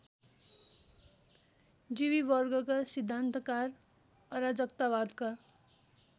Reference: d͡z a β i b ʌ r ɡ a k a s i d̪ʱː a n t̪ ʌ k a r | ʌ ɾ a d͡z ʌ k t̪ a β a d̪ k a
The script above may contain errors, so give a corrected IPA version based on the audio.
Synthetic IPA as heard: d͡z i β i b ʌ r ɡ ʌ k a s i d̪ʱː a n t̪ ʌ k a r | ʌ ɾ a d͡z ʌ k t̪ a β a d̪ k a